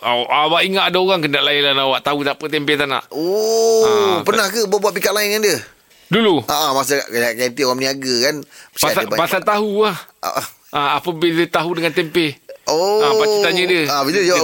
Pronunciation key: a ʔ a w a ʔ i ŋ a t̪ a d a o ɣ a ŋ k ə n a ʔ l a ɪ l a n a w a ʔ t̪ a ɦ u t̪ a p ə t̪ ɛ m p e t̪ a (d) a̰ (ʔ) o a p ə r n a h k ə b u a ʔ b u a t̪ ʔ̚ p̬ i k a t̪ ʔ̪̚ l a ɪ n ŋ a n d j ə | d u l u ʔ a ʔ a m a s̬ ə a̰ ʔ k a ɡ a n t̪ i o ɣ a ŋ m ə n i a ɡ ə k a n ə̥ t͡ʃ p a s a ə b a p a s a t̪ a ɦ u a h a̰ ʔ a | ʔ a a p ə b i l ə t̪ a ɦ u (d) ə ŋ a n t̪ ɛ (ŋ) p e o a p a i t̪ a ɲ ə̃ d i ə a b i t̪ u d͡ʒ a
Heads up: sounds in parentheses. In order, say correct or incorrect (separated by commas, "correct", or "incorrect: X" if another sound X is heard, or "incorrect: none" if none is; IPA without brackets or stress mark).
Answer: incorrect: n, correct, correct, incorrect: m